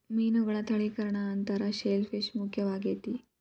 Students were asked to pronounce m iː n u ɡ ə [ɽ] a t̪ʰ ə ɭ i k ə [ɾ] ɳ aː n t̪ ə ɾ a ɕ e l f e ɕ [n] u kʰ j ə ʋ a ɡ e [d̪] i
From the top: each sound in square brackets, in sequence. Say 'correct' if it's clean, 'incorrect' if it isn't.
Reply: incorrect, correct, incorrect, incorrect

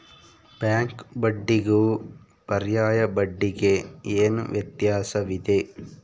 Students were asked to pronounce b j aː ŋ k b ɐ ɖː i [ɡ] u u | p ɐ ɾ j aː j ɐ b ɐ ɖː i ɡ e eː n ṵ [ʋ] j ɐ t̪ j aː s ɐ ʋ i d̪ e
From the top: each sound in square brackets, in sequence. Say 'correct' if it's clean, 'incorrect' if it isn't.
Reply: correct, correct

